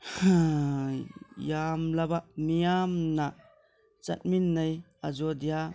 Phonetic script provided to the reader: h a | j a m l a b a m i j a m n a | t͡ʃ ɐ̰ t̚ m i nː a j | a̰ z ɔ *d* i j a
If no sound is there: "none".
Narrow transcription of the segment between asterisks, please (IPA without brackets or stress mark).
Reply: d